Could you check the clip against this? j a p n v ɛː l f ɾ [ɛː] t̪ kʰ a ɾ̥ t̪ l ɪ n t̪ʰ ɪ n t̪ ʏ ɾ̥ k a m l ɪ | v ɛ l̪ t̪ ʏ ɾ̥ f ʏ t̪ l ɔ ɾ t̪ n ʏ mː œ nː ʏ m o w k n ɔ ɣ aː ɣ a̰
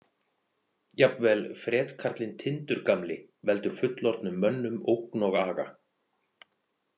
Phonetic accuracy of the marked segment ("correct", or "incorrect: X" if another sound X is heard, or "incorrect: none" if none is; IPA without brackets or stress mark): correct